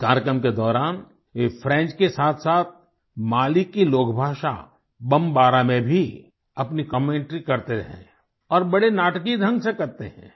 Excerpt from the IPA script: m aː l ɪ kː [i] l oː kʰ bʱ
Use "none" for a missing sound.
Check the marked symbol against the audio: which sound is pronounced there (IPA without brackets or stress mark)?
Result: i